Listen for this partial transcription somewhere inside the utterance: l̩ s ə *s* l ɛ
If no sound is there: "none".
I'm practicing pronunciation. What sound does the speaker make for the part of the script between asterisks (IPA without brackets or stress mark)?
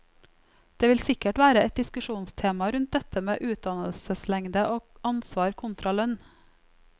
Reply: s